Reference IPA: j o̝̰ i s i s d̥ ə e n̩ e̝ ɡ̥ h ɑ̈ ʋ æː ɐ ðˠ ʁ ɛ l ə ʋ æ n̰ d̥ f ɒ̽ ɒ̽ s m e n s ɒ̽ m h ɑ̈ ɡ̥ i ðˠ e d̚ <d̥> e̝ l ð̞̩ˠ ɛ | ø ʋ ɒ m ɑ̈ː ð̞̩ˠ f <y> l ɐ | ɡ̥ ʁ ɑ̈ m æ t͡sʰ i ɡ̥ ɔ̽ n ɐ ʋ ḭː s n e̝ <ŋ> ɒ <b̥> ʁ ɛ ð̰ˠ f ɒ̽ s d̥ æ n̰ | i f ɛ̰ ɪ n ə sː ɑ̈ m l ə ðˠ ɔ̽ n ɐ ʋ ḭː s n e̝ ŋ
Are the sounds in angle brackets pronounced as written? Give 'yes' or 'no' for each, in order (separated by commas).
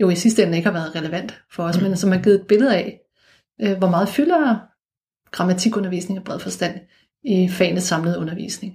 no, yes, yes, yes